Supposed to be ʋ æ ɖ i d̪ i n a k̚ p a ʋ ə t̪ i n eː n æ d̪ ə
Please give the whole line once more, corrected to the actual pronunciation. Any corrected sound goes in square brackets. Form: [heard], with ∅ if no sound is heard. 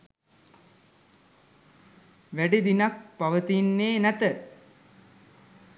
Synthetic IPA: ʋ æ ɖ i d̪ i n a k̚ p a ʋ ə t̪ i [nː] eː n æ [t̪] ə